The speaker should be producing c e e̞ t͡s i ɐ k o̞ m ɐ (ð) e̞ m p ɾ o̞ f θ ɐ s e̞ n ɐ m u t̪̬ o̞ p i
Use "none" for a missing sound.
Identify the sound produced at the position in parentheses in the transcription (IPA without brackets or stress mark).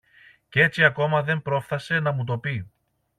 ð